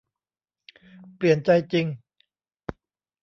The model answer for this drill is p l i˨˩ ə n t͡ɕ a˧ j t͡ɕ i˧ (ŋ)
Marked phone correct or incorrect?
correct